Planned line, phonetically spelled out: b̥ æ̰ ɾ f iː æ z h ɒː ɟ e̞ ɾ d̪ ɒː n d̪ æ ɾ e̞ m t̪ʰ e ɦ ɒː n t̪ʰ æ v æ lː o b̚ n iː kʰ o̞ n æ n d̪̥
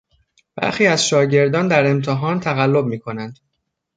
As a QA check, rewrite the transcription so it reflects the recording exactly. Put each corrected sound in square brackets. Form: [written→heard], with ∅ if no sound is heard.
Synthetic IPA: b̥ æ̰ ɾ [f→x] iː æ z [h→ʃ] ɒː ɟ e̞ ɾ d̪ ɒː n d̪ æ ɾ e̞ m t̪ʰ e ɦ ɒː n t̪ʰ æ [v→ɣ] æ lː o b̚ [n→m] iː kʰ o̞ n æ n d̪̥